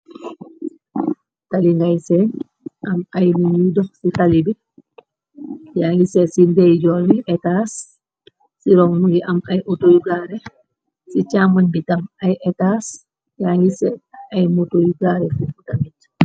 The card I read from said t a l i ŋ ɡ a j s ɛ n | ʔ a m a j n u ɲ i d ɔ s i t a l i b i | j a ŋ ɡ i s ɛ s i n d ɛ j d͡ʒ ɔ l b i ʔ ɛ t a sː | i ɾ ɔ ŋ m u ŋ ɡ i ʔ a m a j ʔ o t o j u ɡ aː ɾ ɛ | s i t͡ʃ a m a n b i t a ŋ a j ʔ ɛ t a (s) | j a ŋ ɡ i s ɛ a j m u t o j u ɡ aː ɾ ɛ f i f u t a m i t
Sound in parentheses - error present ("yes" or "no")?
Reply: no